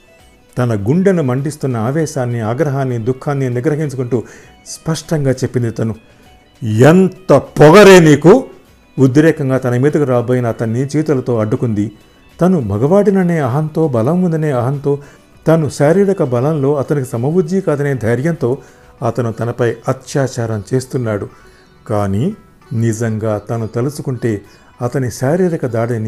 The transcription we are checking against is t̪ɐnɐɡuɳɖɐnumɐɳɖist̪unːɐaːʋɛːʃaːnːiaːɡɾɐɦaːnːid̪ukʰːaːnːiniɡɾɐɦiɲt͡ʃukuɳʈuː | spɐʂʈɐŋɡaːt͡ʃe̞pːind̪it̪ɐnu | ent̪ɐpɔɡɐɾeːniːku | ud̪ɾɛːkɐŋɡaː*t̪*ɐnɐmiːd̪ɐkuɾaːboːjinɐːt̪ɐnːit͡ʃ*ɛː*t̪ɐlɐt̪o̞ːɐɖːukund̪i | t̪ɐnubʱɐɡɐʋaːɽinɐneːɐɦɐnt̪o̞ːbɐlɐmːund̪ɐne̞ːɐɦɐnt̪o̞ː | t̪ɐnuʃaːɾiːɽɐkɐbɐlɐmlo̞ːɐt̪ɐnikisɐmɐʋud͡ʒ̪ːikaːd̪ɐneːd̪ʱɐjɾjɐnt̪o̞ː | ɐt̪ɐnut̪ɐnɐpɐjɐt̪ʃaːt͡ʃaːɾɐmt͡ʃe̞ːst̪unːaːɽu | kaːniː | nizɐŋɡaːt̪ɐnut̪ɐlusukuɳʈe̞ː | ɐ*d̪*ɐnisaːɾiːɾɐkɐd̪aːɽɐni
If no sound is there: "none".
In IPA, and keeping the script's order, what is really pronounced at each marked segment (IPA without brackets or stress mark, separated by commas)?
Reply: t̪, iː, t̪